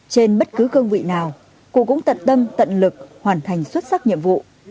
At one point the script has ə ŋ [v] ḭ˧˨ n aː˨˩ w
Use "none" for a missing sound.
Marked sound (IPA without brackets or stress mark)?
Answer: v